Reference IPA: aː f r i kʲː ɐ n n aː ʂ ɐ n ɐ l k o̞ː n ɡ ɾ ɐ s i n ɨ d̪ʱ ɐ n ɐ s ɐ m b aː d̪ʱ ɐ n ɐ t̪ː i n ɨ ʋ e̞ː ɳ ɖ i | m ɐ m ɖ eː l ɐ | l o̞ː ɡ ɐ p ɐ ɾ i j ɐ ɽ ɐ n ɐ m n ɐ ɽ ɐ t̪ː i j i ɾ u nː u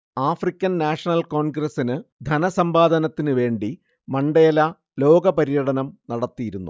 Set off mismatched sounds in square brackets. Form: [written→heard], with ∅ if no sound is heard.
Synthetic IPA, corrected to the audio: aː f r i kʲː ɐ n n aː ʂ ɐ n ɐ l k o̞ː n ɡ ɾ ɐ s i n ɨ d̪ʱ ɐ n ɐ s ɐ m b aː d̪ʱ ɐ n ɐ t̪ː i n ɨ ʋ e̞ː ɳ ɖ i | m ɐ [m→ɳ] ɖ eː l ɐ | l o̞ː ɡ ɐ p ɐ ɾ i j ɐ ɽ ɐ n ɐ m n ɐ ɽ ɐ t̪ː i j i ɾ u nː u

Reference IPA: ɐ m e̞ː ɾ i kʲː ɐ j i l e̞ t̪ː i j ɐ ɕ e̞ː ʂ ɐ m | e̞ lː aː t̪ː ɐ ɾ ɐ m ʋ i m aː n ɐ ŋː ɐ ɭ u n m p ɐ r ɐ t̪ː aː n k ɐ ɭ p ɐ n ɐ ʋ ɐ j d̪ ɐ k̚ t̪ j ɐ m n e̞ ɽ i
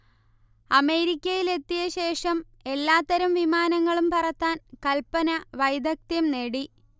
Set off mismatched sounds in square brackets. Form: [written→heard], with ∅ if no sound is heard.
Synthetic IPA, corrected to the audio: ɐ m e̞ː ɾ i kʲː ɐ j i l e̞ t̪ː i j ɐ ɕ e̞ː ʂ ɐ m | e̞ lː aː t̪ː ɐ ɾ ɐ m ʋ i m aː n ɐ ŋː ɐ ɭ u [n→∅] m p ɐ r ɐ t̪ː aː n k ɐ [ɭ→l] p ɐ n ɐ ʋ ɐ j d̪ ɐ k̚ t̪ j ɐ m n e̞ ɽ i

